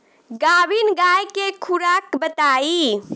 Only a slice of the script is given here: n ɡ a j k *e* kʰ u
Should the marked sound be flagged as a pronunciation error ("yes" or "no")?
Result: no